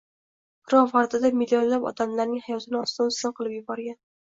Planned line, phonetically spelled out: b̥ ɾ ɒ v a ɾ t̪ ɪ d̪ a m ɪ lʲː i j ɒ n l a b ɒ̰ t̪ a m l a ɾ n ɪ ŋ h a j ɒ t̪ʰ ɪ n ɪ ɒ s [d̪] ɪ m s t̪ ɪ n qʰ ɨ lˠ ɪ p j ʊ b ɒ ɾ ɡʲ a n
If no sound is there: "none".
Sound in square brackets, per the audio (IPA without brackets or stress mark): t̪